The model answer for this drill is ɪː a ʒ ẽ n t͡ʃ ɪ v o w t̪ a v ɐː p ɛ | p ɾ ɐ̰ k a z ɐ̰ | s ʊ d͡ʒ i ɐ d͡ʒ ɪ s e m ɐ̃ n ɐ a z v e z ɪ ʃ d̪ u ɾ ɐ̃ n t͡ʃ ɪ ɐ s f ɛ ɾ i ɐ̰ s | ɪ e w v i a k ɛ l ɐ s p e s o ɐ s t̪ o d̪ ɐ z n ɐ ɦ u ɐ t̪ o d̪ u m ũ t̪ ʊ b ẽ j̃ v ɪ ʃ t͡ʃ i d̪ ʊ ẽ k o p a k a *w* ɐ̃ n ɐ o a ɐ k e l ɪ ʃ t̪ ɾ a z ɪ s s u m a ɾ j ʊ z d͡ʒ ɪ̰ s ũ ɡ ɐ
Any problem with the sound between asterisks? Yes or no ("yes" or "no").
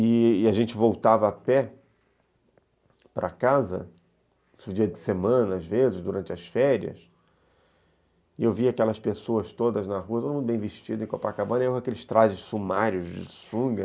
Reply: yes